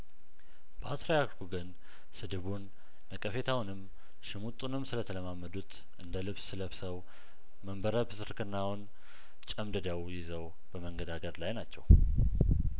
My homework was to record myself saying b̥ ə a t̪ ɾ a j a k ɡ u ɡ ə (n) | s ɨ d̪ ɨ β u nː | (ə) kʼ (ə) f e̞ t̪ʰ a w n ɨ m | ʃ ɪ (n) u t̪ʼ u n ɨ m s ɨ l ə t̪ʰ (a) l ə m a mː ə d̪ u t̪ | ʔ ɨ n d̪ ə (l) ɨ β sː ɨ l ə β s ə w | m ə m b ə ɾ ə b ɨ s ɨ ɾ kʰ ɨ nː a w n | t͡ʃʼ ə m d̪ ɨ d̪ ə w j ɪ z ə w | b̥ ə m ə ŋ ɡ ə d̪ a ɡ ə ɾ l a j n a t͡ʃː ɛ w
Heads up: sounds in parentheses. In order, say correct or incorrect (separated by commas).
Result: correct, correct, correct, incorrect, incorrect, correct